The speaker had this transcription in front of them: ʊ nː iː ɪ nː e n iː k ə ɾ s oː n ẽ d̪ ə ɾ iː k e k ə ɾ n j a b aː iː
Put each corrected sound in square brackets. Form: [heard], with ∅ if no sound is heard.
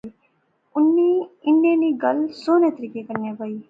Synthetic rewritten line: ʊ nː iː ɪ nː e n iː [ɡ] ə [l] s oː n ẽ [t̪] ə ɾ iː k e k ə ɾ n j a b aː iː